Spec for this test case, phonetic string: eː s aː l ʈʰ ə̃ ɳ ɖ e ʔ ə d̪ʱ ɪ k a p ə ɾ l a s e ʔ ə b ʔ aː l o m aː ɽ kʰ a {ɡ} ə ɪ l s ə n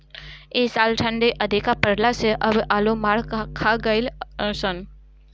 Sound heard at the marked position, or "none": ɡ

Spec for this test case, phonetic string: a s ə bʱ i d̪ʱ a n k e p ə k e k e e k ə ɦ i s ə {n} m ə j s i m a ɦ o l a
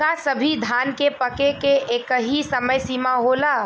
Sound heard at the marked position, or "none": none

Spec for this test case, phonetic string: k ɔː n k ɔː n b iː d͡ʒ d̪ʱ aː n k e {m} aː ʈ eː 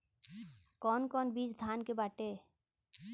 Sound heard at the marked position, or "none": b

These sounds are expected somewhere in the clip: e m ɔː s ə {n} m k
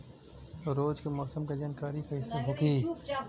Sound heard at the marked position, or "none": none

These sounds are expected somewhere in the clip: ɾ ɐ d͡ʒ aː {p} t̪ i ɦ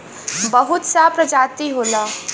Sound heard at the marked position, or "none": none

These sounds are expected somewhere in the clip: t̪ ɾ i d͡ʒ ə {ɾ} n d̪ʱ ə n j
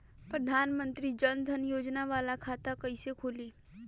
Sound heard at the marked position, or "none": none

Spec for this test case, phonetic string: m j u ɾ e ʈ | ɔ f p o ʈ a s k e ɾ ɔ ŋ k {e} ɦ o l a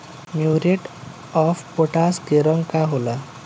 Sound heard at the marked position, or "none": a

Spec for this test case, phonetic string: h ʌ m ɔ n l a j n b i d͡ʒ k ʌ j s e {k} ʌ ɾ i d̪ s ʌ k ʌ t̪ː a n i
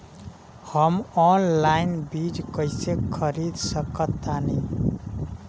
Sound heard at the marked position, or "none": kʰ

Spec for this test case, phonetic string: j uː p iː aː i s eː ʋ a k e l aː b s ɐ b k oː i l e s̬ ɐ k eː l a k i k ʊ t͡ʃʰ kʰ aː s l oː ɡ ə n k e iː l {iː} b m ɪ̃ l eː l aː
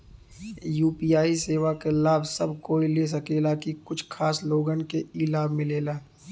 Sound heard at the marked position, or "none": aː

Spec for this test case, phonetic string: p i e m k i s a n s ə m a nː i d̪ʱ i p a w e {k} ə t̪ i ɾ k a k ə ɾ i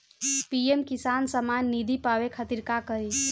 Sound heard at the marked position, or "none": kʰ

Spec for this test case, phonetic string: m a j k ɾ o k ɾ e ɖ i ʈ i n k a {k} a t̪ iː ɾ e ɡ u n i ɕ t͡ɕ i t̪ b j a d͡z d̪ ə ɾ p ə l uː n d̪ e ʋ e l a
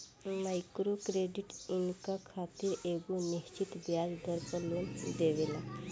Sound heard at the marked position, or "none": kʰ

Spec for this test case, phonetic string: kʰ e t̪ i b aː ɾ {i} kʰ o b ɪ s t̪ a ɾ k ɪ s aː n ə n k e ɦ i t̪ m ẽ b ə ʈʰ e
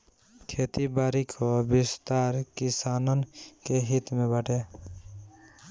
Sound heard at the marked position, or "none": i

